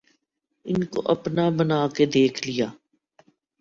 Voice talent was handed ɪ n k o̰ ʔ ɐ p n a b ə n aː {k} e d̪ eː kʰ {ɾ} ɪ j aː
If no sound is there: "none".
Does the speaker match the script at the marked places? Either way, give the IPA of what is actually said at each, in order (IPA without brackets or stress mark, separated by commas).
k, l